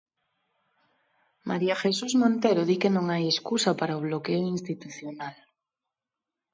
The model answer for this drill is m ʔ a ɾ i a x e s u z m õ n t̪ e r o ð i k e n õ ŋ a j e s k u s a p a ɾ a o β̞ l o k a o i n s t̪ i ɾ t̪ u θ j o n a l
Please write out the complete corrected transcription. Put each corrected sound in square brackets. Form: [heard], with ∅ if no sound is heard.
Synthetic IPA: m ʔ a ɾ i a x e s u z m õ n t̪ e [ɾ] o ð i k e n õ ŋ a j e s k u s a p a ɾ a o β̞ l o k [e] o i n s t̪ i [∅] t̪ u θ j o n a l